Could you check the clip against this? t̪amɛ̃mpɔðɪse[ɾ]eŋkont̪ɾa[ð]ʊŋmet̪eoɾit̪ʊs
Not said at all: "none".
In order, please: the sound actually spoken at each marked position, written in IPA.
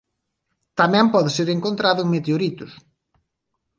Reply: ɾ, ð

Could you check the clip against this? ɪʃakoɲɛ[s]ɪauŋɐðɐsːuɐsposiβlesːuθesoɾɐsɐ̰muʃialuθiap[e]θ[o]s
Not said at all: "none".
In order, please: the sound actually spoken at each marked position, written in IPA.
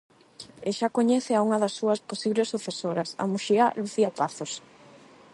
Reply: θ, a, o

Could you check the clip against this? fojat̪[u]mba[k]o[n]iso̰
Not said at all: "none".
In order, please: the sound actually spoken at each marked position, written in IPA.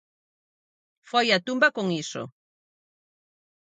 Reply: u, k, ŋ

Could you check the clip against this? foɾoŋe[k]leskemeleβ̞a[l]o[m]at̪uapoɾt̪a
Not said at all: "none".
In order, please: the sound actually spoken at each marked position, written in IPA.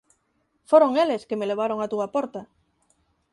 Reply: none, ɾ, ŋ

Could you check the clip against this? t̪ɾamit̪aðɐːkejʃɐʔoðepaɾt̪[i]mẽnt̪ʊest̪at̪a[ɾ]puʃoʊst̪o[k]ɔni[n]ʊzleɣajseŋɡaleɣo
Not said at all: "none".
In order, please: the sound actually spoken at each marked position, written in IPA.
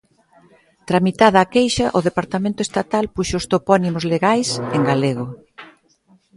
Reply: a, l, p, m

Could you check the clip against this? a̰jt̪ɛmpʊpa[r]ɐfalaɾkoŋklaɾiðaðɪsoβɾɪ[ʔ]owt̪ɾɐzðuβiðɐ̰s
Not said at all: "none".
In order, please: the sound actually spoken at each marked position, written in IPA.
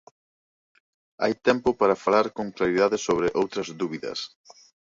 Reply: ɾ, ʔ

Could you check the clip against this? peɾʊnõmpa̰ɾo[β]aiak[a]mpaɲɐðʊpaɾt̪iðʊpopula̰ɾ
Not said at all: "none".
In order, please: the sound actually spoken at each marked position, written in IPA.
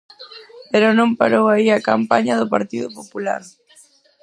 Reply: w, a

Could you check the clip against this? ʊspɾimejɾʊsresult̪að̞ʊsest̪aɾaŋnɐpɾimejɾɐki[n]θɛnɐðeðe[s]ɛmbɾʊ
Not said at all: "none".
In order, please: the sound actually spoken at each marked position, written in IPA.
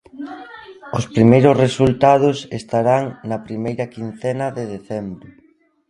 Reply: n, θ

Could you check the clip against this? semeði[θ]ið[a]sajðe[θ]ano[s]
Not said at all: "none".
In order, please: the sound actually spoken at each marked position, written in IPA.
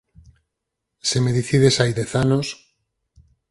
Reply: θ, e, θ, s

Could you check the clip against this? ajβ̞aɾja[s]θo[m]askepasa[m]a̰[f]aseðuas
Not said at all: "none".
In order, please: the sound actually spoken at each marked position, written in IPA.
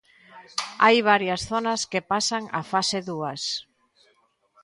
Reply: s, n, ŋ, f

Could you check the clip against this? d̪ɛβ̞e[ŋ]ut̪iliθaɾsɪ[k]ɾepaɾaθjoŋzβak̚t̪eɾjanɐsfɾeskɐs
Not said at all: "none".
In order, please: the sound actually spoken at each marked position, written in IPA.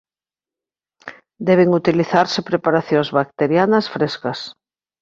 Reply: ŋ, p

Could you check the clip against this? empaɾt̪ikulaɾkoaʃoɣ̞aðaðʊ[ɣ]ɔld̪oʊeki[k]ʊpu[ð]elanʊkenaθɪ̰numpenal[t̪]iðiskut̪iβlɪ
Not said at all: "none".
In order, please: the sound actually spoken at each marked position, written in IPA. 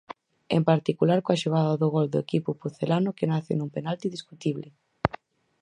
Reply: ɣ, p, θ, t̪

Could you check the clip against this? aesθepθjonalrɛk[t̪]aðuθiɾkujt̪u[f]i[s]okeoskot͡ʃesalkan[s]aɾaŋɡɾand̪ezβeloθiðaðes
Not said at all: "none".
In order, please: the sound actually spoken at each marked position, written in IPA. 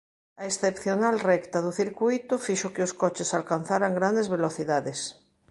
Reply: t̪, f, ʃ, θ

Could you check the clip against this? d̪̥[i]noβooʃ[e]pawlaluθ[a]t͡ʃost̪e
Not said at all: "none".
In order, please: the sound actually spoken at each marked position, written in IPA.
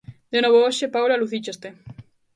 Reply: e, e, i

